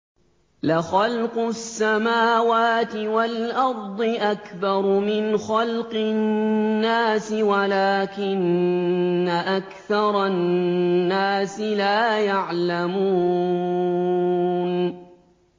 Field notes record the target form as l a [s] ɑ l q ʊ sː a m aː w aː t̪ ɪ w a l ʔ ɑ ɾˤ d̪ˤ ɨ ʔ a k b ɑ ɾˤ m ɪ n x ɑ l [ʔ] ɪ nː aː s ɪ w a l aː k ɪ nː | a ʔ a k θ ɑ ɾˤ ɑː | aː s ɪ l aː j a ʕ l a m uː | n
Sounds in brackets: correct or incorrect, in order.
incorrect: x, incorrect: q

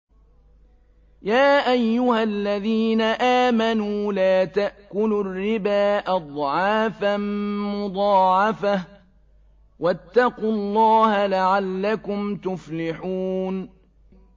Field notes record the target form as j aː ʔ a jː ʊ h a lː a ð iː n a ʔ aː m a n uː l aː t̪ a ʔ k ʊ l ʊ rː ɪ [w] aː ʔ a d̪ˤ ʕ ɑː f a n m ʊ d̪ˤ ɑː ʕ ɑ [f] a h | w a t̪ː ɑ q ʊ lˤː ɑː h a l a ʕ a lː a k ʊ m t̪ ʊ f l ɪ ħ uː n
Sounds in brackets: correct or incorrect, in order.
incorrect: b, correct

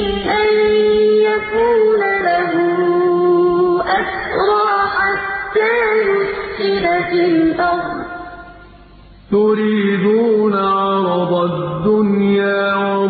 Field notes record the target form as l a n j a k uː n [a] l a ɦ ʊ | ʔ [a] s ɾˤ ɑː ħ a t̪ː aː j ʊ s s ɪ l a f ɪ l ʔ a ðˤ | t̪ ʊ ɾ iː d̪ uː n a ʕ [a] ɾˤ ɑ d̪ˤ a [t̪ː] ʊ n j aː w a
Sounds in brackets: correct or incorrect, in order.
correct, correct, incorrect: ɑ, incorrect: d̪ː

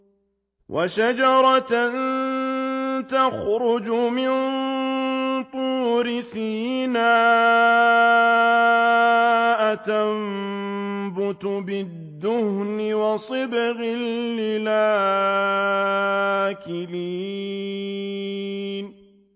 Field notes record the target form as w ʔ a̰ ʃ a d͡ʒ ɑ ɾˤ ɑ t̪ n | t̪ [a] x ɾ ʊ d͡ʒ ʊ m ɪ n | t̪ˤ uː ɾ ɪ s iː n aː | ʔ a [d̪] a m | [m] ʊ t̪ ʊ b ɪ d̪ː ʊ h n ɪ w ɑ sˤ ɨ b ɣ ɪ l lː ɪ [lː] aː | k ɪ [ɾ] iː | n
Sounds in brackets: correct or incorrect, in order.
correct, incorrect: t̪, incorrect: b, incorrect: l, incorrect: l

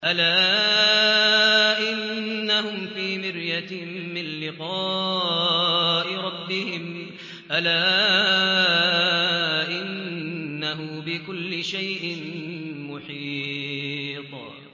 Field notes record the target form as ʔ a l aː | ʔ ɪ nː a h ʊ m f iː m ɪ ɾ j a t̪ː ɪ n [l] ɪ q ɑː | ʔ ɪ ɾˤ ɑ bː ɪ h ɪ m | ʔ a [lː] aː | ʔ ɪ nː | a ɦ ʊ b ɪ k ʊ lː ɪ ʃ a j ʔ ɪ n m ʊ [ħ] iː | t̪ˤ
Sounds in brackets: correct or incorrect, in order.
correct, incorrect: l, correct

